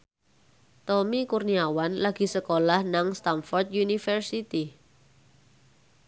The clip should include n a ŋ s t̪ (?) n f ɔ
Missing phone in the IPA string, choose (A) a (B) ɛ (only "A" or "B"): A